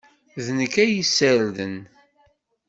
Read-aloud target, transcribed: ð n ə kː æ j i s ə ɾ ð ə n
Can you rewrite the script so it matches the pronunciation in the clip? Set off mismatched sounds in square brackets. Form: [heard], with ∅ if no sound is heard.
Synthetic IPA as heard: ð n ə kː æ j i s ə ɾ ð ə n